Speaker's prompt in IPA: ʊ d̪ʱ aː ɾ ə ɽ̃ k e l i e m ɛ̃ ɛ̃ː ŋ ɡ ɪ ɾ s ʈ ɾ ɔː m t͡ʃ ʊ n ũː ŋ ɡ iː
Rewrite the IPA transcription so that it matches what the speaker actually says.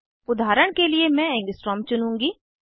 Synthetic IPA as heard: ʊ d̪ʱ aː ɾ ə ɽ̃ k e l i e m ɛ̃ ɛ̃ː ŋ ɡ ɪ s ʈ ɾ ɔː m t͡ʃ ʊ n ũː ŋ ɡ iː